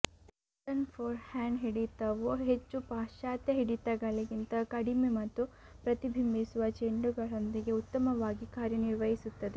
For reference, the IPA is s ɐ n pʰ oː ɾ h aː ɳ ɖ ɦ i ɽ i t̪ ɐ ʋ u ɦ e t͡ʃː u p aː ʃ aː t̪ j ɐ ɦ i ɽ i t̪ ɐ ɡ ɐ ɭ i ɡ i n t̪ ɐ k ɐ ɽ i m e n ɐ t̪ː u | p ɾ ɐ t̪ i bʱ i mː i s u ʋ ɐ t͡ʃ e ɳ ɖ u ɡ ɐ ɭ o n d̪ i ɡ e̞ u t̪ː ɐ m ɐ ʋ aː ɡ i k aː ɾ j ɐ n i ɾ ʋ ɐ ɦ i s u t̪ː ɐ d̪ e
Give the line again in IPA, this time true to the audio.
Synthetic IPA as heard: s ɐ n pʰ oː ɾ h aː ɳ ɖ ɦ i ɽ i t̪ ɐ ʋ u ɦ e t͡ʃː u p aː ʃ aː t̪ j ɐ ɦ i ɽ i t̪ ɐ ɡ ɐ ɭ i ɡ i n t̪ ɐ k ɐ ɽ i m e m ɐ t̪ː u | p ɾ ɐ t̪ i bʱ i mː i s u ʋ ɐ t͡ʃ e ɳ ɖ u ɡ ɐ ɭ o n d̪ i ɡ e̞ u t̪ː ɐ m ɐ ʋ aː ɡ i k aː ɾ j ɐ n i ɾ ʋ ɐ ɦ i s u t̪ː ɐ d̪ e